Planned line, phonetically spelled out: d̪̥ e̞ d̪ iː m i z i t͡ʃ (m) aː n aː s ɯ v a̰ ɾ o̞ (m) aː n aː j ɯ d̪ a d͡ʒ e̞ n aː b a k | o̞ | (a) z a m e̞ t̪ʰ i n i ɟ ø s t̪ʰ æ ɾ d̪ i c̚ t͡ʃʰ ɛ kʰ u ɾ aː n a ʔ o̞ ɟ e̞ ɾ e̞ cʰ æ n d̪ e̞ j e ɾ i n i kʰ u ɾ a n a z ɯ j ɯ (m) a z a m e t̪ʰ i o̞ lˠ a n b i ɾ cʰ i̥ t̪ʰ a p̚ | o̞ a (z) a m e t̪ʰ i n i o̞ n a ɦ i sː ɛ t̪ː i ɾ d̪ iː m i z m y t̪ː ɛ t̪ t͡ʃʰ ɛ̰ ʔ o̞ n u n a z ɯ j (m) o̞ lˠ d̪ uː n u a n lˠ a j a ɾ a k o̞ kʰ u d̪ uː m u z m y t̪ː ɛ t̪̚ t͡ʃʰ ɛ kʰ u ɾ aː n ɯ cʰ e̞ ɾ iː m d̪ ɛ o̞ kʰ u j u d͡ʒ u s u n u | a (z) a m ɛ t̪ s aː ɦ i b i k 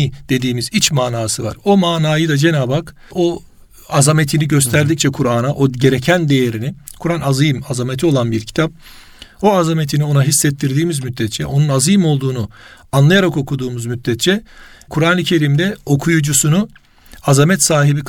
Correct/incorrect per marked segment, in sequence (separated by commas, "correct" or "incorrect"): correct, correct, correct, correct, correct, correct, correct